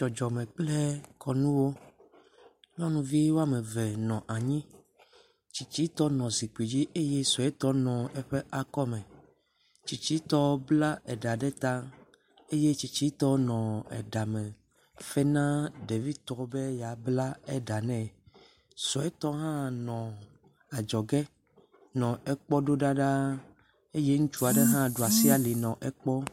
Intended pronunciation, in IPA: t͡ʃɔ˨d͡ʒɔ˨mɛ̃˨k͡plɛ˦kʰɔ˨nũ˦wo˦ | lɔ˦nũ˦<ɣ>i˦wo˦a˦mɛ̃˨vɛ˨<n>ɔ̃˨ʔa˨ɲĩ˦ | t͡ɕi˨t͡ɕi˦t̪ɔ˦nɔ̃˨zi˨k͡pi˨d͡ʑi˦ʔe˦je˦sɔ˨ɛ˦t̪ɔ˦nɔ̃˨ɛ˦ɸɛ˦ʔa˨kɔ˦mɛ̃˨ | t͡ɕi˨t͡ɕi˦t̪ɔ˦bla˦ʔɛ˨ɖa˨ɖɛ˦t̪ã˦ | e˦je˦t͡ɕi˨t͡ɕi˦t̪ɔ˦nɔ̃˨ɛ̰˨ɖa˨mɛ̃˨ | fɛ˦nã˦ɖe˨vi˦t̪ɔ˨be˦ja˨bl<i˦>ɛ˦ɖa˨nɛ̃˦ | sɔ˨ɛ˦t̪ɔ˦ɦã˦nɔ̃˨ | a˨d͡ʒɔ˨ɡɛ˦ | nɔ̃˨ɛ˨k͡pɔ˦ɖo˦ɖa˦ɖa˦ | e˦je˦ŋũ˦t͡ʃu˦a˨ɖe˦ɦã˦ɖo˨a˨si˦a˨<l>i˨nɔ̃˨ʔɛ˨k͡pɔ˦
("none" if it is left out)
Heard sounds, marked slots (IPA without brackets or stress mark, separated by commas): v, n, a˦, l